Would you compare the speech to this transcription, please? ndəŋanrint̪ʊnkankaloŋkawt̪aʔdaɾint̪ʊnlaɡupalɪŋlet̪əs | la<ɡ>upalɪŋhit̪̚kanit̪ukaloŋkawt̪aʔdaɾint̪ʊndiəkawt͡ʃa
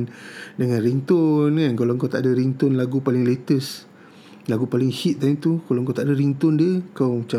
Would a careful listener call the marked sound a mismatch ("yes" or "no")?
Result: no